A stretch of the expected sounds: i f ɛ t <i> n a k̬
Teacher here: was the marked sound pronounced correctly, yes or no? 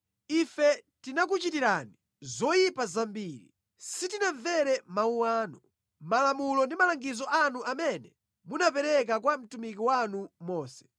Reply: yes